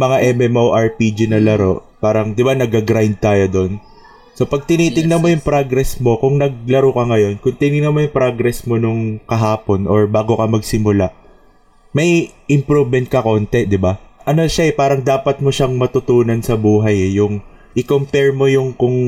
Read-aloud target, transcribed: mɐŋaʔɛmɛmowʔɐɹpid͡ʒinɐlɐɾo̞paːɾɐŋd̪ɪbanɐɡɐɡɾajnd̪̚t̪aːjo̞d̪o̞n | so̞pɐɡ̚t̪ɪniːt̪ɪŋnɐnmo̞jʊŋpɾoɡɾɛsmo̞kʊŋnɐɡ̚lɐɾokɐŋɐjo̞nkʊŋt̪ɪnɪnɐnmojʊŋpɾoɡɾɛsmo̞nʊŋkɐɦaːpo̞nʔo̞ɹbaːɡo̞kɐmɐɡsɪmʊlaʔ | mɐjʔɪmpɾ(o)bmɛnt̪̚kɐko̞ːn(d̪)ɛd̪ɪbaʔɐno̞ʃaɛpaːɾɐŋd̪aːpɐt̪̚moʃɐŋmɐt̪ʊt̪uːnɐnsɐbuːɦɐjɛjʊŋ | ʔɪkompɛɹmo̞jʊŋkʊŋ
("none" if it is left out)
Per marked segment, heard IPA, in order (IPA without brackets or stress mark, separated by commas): u, t̪